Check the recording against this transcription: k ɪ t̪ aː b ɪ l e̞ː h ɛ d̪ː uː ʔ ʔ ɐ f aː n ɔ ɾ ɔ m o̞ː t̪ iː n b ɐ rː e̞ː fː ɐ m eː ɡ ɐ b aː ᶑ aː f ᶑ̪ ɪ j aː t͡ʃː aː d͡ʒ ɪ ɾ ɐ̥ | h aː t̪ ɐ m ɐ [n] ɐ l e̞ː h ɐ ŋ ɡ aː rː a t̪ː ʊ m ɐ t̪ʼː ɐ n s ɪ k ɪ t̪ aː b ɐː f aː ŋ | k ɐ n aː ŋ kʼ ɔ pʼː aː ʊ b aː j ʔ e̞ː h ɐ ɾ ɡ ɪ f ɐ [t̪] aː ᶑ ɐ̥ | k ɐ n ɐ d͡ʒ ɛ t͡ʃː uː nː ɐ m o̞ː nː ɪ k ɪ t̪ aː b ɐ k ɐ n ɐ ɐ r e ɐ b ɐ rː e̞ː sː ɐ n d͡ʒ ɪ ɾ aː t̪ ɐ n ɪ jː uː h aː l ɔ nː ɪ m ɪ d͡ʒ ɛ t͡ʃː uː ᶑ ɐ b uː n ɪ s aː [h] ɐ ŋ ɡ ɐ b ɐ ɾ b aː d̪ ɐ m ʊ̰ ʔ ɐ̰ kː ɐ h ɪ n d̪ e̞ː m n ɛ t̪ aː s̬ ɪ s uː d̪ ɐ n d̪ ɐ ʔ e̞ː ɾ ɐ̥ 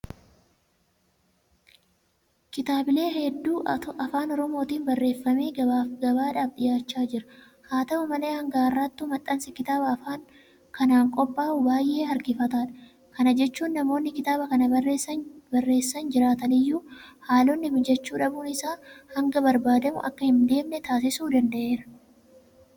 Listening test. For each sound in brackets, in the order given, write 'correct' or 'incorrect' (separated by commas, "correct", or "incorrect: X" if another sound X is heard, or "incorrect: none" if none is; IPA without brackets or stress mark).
incorrect: m, correct, correct